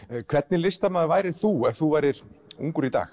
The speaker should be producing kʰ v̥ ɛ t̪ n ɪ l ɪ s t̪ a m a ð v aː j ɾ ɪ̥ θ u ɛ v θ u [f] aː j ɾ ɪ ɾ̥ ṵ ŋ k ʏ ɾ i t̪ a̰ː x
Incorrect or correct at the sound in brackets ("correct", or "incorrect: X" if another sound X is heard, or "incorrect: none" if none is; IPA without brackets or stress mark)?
incorrect: v